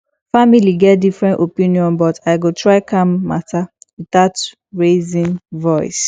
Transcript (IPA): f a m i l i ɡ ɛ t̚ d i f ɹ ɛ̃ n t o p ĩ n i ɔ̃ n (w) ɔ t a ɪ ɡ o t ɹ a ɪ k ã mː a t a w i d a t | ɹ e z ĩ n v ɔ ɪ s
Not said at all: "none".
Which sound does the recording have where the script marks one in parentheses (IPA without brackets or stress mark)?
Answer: b